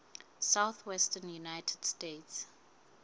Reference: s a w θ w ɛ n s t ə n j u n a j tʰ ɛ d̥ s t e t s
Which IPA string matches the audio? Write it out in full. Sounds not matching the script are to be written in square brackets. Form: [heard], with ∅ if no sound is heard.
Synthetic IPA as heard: s a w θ w ɛ [∅] s t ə n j u n a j tʰ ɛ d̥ s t e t s